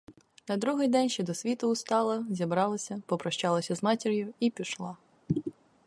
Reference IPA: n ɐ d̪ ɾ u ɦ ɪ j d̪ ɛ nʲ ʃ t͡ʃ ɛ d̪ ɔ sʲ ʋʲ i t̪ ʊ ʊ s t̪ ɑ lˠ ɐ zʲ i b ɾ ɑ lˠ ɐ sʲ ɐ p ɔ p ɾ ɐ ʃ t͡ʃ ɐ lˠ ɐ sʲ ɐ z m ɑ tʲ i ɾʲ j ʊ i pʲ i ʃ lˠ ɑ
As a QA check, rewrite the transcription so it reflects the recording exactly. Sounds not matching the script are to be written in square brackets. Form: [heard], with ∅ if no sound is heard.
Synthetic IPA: n ɐ d̪ ɾ u ɦ ɪ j d̪ ɛ nʲ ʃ t͡ʃ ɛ d̪ ɔ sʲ ʋʲ i t̪ ʊ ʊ s t̪ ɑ lˠ ɐ zʲ i b ɾ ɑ lˠ ɐ sʲ ɐ p ɔ p ɾ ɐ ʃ t͡ʃ [ɑ] lˠ ɐ sʲ ɐ z m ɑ tʲ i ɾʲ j ʊ i pʲ i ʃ lˠ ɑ